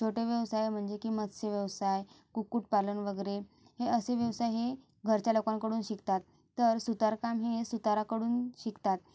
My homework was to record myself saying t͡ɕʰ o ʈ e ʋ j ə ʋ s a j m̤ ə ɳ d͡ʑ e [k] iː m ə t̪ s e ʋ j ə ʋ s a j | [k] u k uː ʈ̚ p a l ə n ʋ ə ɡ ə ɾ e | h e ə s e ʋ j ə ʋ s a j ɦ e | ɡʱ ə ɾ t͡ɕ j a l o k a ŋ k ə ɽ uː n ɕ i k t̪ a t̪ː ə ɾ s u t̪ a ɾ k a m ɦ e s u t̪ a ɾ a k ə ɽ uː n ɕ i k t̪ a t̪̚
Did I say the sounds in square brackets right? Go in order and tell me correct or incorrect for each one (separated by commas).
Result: correct, correct